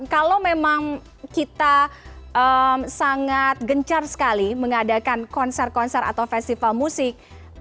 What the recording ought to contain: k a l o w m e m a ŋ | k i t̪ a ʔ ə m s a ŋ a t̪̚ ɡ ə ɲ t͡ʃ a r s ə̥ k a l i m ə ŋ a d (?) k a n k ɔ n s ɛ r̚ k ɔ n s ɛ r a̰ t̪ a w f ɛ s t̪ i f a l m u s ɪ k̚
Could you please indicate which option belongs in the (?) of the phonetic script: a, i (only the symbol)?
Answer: a